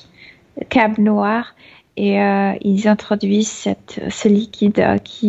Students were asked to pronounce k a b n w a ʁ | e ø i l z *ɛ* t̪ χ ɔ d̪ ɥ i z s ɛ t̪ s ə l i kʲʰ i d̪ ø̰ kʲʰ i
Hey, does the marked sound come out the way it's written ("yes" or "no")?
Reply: no